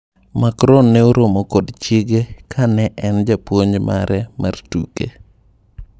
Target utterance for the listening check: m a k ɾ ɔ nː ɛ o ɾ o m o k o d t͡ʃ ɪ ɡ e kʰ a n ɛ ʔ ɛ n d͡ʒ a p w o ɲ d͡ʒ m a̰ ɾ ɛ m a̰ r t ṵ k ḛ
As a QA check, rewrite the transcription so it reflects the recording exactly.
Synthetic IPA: m a k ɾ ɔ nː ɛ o ɾ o m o k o d t͡ʃ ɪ ɡ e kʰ a n ɛ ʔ ɛ n d͡ʒ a p w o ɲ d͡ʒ m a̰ ɾ ɛ m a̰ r t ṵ k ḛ

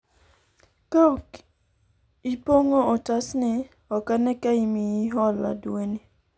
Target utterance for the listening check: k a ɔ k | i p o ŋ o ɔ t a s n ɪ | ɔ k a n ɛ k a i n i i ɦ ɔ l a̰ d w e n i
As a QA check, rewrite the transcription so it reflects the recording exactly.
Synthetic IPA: k a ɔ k | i p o ŋ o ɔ t a s n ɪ | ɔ k a n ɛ k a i m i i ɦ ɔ l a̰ d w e n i

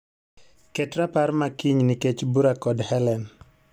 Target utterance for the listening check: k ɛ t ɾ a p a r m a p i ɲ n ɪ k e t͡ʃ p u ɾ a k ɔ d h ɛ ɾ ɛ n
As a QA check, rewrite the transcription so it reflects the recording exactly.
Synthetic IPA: k ɛ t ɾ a p a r m a k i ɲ n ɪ k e t͡ʃ b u ɾ a k ɔ d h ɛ l ɛ n

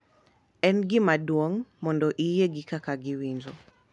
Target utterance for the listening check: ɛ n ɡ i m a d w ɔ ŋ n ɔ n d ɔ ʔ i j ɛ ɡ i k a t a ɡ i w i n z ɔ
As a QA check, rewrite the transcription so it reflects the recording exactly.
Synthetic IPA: ɛ n ɡ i m a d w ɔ ŋ m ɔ n d ɔ ʔ i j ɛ ɡ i k a k a ɡ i w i n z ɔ

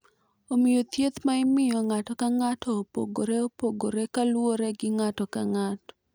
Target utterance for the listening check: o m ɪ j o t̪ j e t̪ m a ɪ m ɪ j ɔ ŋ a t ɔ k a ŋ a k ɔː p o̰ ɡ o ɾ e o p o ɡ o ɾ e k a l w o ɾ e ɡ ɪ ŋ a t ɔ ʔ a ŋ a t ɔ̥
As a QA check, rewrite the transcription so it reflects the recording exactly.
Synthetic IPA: o m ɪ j o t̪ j e t̪ m a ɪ m ɪ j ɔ ŋ a t ɔ k a ŋ a t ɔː p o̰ ɡ o ɾ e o p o ɡ o ɾ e k a l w o ɾ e ɡ ɪ ŋ a t ɔ k a ŋ a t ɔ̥

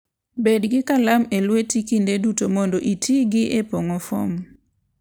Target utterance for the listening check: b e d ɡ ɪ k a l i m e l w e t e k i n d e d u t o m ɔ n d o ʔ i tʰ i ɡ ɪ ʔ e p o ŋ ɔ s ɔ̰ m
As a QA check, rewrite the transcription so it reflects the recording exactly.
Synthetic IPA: b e d ɡ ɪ k a l a m e l w e t i k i n d e d u t o m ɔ n d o ʔ i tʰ i ɡ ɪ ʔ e p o ŋ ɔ f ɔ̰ m

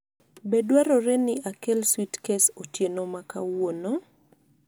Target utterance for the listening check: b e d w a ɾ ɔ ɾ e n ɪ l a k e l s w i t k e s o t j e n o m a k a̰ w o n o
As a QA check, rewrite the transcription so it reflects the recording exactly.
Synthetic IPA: b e d w a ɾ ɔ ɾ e n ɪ a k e l s w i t k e s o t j e n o m a k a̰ w o n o

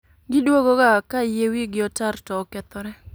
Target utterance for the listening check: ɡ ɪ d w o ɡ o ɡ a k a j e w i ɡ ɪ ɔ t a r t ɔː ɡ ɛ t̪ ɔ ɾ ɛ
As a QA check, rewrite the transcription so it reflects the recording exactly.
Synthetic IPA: ɡ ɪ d w o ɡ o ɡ a k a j e w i ɡ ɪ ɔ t a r t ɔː k ɛ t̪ ɔ ɾ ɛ

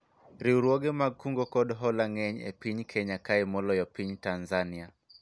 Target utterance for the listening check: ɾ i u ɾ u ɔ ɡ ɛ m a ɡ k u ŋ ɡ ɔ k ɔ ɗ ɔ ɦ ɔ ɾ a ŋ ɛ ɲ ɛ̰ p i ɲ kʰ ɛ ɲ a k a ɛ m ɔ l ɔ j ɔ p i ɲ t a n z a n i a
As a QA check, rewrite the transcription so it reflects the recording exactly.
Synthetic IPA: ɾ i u ɾ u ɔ ɡ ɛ m a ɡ k u ŋ ɡ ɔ k ɔ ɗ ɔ ɦ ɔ l a ŋ ɛ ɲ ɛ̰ p i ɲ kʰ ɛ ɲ a k a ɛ m ɔ l ɔ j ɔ p i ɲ t a n z a n i a

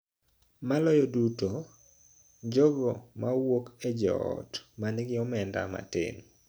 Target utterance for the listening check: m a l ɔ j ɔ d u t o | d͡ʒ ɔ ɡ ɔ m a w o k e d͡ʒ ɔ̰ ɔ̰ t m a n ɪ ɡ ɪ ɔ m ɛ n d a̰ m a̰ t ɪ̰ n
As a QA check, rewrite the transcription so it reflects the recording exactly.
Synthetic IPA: m a l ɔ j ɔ d u t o | d͡ʒ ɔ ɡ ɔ m a w o k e d͡ʒ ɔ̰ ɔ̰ t m a n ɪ ɡ ɪ ɔ m ɛ n d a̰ m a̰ t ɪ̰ n

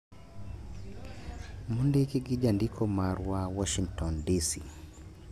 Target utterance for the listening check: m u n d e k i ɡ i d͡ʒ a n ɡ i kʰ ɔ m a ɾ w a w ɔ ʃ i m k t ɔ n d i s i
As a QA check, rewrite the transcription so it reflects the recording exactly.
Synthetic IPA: m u n d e k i ɡ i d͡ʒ a n d i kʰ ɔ m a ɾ w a w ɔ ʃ i ŋ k t ɔ n d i s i

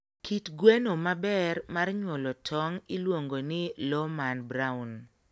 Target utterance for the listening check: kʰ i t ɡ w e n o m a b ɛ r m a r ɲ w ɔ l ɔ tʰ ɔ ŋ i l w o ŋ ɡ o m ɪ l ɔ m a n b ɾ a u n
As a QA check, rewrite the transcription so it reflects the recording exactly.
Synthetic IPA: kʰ i t ɡ w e n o m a b ɛ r m a r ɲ w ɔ l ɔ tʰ ɔ ŋ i l w o ŋ ɡ o n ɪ l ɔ m a n b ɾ a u n

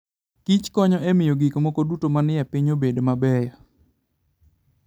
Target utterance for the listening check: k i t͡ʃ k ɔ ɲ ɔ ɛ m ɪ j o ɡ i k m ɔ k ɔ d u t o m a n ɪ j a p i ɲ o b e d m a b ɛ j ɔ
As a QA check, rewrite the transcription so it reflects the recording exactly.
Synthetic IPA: k i t͡ʃ k ɔ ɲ ɔ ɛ m ɪ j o ɡ i k m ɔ k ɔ d u t o m a n ɪ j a p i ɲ o b e d m a b ɛ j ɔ

